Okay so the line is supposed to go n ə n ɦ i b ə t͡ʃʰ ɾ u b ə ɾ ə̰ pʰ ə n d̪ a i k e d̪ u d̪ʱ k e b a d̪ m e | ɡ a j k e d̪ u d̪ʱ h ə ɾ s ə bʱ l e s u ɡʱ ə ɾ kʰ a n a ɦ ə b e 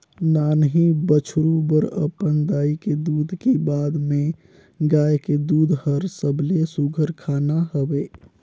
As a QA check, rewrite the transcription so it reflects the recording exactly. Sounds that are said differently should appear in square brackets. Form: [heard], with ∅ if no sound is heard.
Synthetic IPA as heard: n [a] n ɦ i b ə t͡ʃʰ ɾ u b ə ɾ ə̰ [p] ə n d̪ a i k e d̪ u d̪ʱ k e b a d̪ m e | ɡ a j k e d̪ u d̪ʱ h ə ɾ s ə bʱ l e s u ɡʱ ə ɾ kʰ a n a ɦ ə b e